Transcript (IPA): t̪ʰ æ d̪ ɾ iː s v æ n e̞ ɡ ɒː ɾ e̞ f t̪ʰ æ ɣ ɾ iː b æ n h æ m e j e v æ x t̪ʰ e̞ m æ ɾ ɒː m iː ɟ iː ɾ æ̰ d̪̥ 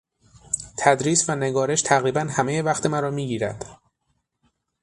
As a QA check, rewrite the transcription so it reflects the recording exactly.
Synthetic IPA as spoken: t̪ʰ æ d̪ ɾ iː s v æ n e̞ ɡ ɒː ɾ e̞ ʃ t̪ʰ æ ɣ ɾ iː b æ n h æ m e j e v æ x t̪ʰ e̞ m æ ɾ ɒː m iː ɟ iː ɾ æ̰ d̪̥